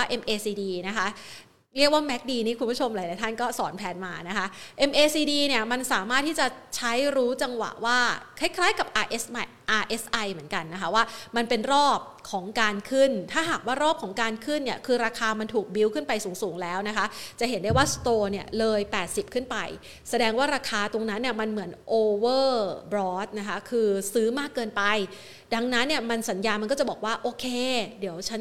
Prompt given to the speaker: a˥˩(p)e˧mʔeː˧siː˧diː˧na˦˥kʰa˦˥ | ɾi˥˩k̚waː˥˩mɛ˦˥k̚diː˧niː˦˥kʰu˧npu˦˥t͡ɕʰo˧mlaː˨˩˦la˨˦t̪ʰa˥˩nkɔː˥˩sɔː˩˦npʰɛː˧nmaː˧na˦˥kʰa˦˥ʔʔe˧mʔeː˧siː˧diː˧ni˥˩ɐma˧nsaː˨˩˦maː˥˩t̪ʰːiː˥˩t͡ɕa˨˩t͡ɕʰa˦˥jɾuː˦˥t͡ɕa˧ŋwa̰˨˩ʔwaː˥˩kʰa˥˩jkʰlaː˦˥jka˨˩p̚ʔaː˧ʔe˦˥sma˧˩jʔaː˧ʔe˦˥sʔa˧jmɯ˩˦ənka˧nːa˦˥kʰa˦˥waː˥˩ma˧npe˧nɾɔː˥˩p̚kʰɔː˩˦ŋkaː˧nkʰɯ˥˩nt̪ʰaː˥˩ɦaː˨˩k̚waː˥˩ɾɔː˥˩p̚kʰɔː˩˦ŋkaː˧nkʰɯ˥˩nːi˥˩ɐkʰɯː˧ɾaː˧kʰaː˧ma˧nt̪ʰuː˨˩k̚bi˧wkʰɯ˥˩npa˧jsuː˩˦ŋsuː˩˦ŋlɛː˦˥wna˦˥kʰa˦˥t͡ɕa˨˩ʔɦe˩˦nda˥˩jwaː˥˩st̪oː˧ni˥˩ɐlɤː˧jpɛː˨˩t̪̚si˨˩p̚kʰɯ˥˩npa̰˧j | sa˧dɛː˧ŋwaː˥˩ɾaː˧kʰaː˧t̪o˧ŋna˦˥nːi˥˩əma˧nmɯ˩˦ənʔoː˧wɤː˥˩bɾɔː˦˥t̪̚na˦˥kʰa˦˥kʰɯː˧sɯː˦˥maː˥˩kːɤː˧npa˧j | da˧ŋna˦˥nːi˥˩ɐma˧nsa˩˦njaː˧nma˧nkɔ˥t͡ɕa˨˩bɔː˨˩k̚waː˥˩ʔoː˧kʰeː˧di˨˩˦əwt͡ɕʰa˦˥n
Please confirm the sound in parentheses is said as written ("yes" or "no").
no